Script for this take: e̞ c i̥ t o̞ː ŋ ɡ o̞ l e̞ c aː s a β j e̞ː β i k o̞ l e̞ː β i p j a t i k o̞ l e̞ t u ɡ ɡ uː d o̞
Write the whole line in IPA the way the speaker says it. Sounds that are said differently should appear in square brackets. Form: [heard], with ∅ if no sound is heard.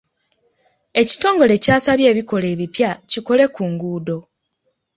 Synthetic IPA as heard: e̞ c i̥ t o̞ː ŋ ɡ o̞ l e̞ c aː s a β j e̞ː β i k o̞ l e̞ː β i p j a [c] i k o̞ l e̞ [k] u [ŋ] ɡ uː d o̞